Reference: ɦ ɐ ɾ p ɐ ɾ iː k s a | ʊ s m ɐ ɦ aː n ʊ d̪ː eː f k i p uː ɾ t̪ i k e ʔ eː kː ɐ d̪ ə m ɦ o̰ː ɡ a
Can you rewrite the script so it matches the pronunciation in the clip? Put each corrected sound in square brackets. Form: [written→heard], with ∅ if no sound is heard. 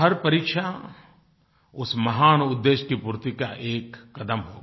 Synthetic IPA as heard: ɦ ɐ ɾ p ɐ ɾ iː k [s→ʃ] a | ʊ s m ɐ ɦ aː n ʊ d̪ː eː [f→ʃ] k i p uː ɾ t̪ i k [e→a] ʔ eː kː ɐ d̪ ə m ɦ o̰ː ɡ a